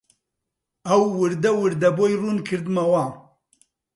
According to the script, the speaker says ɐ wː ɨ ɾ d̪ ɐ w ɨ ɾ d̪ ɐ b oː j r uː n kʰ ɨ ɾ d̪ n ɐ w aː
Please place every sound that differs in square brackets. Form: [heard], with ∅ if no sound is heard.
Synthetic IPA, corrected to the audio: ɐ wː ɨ ɾ d̪ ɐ w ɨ ɾ d̪ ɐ b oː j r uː n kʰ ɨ ɾ d̪ [m] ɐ w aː